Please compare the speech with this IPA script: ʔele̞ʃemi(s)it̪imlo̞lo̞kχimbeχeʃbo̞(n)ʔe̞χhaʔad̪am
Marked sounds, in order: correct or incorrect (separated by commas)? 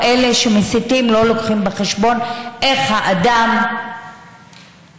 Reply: correct, correct